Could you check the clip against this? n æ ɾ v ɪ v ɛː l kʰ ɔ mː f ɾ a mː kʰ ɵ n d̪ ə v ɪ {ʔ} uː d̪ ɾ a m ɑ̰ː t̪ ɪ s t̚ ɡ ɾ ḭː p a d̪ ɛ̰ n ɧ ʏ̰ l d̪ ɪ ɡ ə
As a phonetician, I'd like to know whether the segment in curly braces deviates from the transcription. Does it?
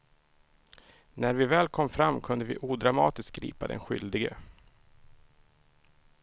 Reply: no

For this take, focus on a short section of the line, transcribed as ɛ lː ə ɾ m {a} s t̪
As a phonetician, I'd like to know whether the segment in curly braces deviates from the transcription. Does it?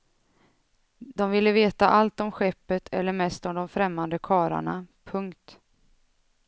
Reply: yes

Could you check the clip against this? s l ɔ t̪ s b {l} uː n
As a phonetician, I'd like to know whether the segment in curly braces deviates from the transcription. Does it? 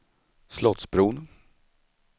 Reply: yes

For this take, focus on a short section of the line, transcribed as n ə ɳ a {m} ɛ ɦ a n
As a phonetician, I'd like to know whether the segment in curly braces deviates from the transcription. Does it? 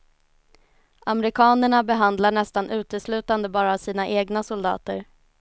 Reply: yes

